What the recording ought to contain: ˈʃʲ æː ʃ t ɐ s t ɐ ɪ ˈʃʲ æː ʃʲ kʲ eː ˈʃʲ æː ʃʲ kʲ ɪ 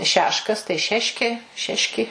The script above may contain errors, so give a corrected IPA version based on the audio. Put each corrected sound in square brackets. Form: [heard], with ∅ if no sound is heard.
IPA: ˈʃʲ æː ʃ [k] ɐ s t ɐ ɪ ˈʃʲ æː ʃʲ kʲ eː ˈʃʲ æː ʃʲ kʲ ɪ